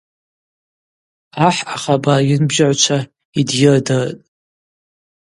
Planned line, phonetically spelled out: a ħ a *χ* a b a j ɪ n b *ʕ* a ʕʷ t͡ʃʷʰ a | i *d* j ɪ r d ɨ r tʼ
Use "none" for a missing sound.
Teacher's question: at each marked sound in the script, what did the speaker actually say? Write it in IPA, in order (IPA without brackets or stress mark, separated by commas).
χ, ʒ, d